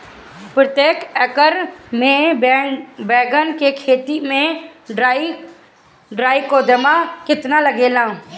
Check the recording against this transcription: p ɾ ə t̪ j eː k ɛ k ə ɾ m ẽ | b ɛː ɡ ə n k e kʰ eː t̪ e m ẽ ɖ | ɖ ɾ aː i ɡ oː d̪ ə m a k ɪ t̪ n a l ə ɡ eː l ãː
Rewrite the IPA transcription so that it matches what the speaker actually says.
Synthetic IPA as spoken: p ɾ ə t̪ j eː k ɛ k ə ɾ m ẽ | b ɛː ɡ ə n k e kʰ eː t̪ i m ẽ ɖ | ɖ ɾ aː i k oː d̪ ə m a k ɪ t̪ n a l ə ɡ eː l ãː